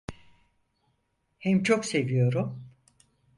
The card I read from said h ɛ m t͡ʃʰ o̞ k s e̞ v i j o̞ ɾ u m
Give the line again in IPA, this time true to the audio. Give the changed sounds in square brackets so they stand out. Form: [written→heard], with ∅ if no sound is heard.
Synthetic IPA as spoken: h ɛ m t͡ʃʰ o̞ k s e̞ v i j o̞ ɾ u m